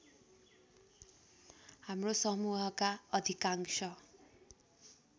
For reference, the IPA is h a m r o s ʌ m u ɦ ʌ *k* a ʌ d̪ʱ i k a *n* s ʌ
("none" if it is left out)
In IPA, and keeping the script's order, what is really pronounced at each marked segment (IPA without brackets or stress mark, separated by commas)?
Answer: k, ŋ